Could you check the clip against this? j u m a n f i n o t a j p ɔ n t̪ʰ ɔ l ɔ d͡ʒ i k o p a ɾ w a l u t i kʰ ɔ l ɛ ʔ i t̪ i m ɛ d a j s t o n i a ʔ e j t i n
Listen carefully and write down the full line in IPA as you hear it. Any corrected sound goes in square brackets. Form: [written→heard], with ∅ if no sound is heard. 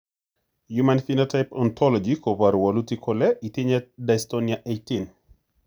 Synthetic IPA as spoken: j u m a n f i n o t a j p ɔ n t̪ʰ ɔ l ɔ d͡ʒ i k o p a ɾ w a l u t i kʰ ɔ l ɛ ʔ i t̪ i [m→ɲ] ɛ d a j s t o n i a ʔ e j t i n